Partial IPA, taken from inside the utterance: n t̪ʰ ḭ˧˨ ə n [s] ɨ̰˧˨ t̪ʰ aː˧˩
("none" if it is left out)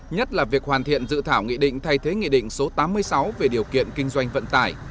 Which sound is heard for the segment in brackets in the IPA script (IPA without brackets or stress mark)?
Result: z